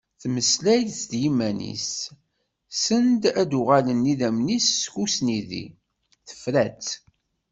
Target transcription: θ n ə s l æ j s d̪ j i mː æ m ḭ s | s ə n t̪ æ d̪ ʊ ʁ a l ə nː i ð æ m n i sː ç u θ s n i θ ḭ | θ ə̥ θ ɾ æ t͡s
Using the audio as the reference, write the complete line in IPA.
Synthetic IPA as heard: θ m ə s l æ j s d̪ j i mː æ n ḭ s | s ə n d̪ æ d̪ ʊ ʁ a l ə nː i ð æ m n i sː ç u s n i ð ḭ | θ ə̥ f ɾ æ t͡s